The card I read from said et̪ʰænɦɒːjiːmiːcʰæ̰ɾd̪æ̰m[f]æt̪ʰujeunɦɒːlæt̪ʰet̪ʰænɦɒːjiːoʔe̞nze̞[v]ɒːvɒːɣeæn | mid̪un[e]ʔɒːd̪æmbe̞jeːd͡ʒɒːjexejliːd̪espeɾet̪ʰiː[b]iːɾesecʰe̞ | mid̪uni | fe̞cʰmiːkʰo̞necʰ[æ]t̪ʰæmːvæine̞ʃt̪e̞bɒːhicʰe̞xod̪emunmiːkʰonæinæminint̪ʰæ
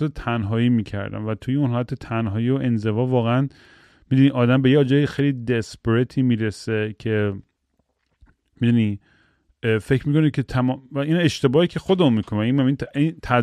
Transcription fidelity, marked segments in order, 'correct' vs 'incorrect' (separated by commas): incorrect, correct, incorrect, incorrect, incorrect